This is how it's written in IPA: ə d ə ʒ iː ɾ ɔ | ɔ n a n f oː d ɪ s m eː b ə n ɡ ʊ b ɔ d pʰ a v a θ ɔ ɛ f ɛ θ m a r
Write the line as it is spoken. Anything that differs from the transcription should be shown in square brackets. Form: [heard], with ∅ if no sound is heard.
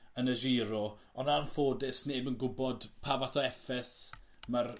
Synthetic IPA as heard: ə [n] ə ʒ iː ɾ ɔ | ɔ n a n f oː d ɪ s [n] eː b ə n ɡ ʊ b ɔ d pʰ a v a θ ɔ ɛ f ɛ θ m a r

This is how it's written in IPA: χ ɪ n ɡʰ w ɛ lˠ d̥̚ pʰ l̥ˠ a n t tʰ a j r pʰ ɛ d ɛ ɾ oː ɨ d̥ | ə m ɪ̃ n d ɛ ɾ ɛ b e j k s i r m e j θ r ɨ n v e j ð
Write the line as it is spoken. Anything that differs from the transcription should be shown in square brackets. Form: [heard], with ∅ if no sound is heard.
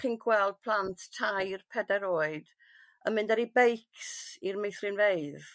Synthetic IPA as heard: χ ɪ n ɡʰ w ɛ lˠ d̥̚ pʰ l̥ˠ a n t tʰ a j r pʰ ɛ d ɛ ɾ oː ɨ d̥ | ə m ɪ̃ n d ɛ ɾ [i] b e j k s i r m e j θ r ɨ n v e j ð

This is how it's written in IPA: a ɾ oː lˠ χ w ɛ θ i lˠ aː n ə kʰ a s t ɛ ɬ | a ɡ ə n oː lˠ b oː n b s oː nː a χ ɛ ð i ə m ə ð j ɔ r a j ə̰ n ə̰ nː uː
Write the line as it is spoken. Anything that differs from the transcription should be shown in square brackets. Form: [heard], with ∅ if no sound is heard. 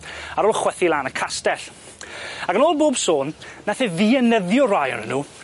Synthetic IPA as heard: a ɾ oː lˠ χ w ɛ θ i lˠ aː n ə kʰ a s t ɛ ɬ | a ɡ ə n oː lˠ b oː [∅] b s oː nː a [θ] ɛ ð i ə [n] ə ð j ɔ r a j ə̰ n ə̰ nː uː

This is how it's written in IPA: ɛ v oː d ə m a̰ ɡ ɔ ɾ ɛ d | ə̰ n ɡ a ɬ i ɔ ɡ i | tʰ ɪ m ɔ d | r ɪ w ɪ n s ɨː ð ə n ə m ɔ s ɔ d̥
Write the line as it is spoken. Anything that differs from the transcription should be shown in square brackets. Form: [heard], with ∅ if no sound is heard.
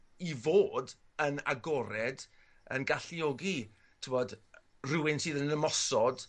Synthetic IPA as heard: [i] v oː d ə [n] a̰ ɡ ɔ ɾ ɛ d | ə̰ n ɡ a ɬ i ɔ ɡ i | tʰ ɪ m ɔ d | r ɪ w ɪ n s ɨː ð ə n ə m ɔ s ɔ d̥

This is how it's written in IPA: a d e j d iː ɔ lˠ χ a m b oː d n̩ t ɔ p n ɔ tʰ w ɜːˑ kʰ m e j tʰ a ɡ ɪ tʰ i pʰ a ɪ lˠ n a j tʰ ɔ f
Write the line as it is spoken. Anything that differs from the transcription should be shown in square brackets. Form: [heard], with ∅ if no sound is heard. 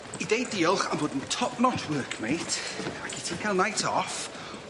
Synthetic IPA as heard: [i] d e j d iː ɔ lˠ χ a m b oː d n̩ [tʰ] ɔ p n ɔ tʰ w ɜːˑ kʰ m e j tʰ a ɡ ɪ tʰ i [kʰ] a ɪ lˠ n a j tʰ ɔ f

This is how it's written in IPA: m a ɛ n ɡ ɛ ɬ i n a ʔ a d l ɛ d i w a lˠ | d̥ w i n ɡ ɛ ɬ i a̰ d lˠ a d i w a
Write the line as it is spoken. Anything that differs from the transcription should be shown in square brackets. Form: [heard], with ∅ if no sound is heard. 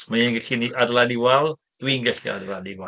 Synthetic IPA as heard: m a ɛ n ɡ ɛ ɬ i n [i] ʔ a d l [a] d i w a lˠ | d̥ w i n ɡ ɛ ɬ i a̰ d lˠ a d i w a

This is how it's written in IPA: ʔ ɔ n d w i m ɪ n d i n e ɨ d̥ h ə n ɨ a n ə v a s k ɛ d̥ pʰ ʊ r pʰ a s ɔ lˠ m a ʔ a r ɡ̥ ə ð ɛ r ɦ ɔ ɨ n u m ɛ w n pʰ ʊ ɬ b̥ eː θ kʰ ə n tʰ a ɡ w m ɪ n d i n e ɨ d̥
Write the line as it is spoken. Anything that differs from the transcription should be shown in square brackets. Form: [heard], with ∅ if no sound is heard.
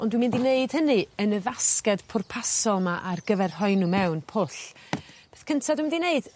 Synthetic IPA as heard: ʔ ɔ n d w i m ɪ n d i n e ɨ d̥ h ə n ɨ [ə] n ə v a s k ɛ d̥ pʰ ʊ r pʰ a s ɔ lˠ m a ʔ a r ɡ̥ ə [v] ɛ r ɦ ɔ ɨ n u m ɛ w n pʰ ʊ ɬ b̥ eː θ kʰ ə n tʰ a [d] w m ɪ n d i n e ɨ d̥

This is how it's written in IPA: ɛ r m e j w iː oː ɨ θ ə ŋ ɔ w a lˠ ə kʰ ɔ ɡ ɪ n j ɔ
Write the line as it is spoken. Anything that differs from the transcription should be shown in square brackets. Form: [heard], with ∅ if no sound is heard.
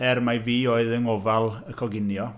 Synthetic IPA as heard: ɛ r m [a] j [v] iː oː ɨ [ð] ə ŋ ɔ [v] a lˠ ə kʰ ɔ ɡ ɪ n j ɔ

